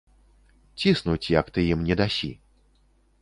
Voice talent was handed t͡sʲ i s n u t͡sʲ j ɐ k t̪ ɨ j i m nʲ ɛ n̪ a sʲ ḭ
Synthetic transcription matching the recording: t͡sʲ i s n u t͡sʲ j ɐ k t̪ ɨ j i m nʲ ɛ d̪ a sʲ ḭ

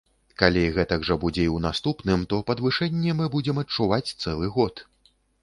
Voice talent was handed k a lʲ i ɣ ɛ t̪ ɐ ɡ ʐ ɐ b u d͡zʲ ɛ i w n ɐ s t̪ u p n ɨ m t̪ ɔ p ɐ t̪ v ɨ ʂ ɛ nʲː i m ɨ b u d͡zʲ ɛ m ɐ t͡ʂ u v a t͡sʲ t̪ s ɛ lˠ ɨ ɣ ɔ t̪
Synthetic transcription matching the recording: k a lʲ i ɣ ɛ t̪ ɐ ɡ ʐ ɐ b u d͡zʲ ɛ i w n a s t̪ u p n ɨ m t̪ ɔ p ɐ d̪ v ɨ ʂ ɛ nʲː ɛ m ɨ b u d͡zʲ ɛ m ɐ t͡ʂ u v a t͡sʲ t̪ s ɛ lˠ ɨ ɣ ɔ t̪

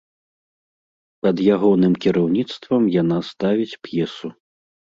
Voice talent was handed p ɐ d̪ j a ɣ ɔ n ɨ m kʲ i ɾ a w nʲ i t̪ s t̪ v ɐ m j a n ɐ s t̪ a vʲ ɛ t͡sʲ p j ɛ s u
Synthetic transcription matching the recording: p ɐ d̪ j a ɣ ɔ n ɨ m kʲ i ɾ a w nʲ i t̪ s t̪ v ɐ m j a n a s t̪ a vʲ i t͡sʲ p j ɛ s u

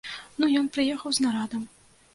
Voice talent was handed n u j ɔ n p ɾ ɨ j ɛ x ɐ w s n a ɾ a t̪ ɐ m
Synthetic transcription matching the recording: n u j ɔ n p ɾ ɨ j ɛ x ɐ w z n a ɾ a d̪ ɐ m

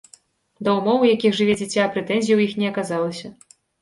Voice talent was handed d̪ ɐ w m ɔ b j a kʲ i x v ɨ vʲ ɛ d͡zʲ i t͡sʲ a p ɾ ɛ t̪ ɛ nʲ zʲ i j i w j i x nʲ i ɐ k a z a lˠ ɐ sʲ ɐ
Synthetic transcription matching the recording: d̪ ɐ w m ɔ w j a kʲ i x ʐ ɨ vʲ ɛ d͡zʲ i t͡sʲ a p ɾ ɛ t̪ ɛ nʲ zʲ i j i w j i x nʲ ɛ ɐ k a z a lˠ ɐ sʲ ɐ

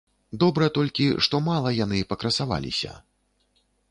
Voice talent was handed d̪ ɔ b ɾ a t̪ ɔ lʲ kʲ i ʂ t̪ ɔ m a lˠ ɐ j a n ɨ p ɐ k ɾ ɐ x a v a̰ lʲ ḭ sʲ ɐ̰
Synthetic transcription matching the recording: d̪ ɔ b ɾ ɐ t̪ ɔ lʲ kʲ i ʂ t̪ ɔ m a lˠ ɐ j a n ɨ p ɐ k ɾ ɐ s a v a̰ lʲ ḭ sʲ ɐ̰

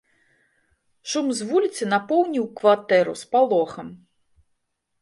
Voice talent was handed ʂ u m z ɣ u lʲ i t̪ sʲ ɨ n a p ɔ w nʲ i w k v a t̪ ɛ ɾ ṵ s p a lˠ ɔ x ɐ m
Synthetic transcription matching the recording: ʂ u m z v u lʲ i t̪ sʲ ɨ n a p ɔ w nʲ i w k v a t̪ ɛ ɾ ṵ s p a lˠ ɔ x ɐ m

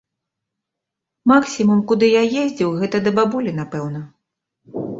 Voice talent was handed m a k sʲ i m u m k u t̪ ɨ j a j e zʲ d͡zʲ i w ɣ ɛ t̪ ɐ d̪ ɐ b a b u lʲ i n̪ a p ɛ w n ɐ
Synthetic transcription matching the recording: m a k sʲ i m u m k u d̪ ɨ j a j e zʲ d͡zʲ i w ɣ ɛ t̪ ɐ d̪ ɐ b a b u lʲ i n̪ a p ɛ w n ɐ

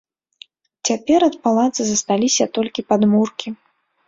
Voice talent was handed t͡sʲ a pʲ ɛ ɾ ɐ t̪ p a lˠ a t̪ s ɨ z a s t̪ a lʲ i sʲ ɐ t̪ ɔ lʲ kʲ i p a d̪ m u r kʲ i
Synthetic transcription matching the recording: t͡sʲ a pʲ ɛ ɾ ɐ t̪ p a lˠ a t̪ s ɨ z ɐ s t̪ a lʲ i sʲ ɐ t̪ ɔ lʲ kʲ i p a d̪ m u r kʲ i

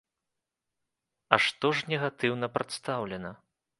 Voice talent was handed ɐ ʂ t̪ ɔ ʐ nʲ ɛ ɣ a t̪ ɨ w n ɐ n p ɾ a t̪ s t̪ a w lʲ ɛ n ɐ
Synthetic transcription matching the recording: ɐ ʂ t̪ ɔ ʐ nʲ ɛ ɣ a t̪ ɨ w n ɐ p ɾ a t̪ s t̪ a w lʲ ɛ n ɐ

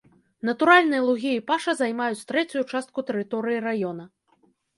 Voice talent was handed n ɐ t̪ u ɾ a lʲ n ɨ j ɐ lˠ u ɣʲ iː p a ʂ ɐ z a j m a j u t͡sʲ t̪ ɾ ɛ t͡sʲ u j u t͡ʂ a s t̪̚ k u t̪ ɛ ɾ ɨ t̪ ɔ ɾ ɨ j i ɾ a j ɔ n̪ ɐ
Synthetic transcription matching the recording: n ɐ t̪ u ɾ a lʲ n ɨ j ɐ lˠ u ɣʲ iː p a ʂ ɐ z a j m a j u t͡sʲ t̪ ɾ ɛ t͡sʲ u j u t͡ʂ a s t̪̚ k u t̪ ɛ ɾ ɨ t̪ ɔ ɾ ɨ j i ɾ a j ɔ n̪ ɐ

